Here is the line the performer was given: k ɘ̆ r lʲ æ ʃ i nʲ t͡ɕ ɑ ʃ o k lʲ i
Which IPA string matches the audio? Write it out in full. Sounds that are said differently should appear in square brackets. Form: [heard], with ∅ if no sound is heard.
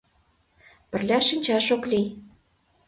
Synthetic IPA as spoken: [p] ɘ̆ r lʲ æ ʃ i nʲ t͡ɕ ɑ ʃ o k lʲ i